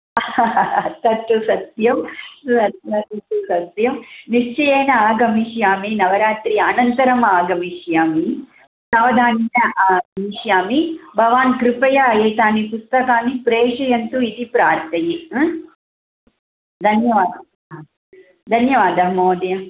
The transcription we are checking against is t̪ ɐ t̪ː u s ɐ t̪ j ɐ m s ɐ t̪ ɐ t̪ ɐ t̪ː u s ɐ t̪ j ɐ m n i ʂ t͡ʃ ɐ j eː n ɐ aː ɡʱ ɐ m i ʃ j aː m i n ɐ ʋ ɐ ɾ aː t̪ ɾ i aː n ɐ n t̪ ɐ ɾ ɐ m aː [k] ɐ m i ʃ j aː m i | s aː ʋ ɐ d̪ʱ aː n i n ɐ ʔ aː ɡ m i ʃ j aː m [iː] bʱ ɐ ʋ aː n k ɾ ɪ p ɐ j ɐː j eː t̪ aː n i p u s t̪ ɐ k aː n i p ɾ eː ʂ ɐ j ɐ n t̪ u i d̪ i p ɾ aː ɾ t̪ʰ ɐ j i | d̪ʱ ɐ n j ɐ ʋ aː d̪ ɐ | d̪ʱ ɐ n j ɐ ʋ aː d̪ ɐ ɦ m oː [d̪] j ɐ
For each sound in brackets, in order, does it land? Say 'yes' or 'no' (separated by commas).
no, no, yes